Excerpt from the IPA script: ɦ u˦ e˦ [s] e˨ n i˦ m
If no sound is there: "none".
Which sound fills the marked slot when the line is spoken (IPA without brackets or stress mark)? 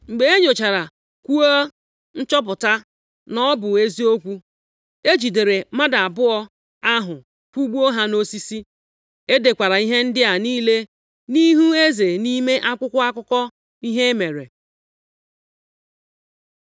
z